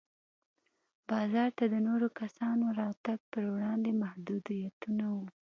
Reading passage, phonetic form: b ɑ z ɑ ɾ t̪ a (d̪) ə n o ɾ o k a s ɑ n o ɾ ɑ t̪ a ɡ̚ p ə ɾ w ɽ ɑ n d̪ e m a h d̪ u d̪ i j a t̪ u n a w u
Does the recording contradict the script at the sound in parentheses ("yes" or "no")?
no